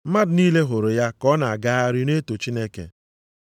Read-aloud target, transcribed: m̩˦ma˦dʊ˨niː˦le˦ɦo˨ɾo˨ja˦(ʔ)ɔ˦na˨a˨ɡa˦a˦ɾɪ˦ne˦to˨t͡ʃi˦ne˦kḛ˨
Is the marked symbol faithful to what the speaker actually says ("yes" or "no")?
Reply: no